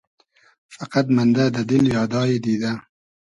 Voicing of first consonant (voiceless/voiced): voiceless